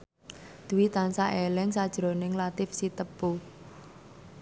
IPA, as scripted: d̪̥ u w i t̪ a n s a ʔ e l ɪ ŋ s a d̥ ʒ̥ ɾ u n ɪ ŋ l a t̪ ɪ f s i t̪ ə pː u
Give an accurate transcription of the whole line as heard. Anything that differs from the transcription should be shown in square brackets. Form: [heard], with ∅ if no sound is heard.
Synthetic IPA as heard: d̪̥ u w i t̪ a n s a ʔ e l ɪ ŋ s a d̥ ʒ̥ ɾ [o] n ɪ ŋ l a t̪ ɪ f s i t̪ ə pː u